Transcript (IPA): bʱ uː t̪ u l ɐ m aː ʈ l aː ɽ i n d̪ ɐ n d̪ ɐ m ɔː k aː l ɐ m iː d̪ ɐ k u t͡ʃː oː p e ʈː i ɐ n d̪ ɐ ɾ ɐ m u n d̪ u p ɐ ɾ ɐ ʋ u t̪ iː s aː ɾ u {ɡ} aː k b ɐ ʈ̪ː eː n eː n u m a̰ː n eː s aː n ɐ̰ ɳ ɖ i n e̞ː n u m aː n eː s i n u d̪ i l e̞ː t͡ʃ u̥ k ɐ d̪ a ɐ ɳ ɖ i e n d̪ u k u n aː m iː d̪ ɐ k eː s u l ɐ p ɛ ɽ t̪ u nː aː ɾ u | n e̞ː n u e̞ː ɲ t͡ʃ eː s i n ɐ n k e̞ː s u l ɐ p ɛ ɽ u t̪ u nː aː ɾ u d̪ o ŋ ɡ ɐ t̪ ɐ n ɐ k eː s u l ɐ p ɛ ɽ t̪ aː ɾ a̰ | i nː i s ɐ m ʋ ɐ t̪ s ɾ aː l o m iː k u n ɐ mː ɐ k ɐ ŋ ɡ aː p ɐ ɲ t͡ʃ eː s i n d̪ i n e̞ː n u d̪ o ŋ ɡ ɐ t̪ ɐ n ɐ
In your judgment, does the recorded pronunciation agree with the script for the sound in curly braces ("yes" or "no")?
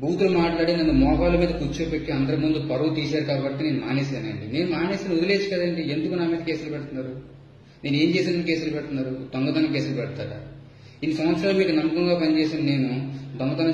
no